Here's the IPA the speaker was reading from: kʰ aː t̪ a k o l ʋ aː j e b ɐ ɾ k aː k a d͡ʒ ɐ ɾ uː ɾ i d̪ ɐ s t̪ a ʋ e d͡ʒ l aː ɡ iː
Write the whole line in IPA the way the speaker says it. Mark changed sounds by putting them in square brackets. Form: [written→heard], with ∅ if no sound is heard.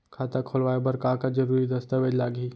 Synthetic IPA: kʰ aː t̪ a [k→kʰ] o l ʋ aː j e b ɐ ɾ k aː k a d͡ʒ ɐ ɾ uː ɾ i d̪ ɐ s t̪ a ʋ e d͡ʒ l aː ɡ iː